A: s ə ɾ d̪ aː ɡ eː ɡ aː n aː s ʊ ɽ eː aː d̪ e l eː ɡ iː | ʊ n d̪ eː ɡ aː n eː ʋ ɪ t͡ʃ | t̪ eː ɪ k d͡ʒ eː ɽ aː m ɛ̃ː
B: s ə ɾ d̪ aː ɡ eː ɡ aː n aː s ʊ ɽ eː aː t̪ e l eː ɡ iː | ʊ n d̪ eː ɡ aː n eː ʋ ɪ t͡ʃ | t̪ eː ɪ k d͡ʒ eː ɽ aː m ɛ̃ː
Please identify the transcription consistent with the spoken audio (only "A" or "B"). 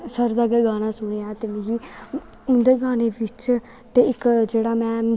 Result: B